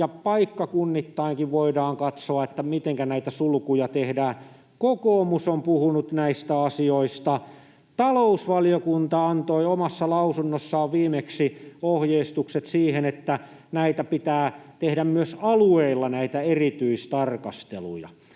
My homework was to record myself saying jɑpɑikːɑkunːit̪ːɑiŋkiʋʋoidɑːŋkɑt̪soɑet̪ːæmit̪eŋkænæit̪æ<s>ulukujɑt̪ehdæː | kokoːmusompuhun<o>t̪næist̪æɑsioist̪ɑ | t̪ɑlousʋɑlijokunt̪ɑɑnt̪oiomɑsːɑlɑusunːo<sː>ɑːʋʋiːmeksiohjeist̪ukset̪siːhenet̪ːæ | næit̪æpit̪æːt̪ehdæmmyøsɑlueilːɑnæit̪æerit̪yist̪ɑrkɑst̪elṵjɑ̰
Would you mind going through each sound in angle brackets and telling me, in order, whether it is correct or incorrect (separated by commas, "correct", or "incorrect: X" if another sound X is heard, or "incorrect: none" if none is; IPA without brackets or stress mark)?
correct, incorrect: u, correct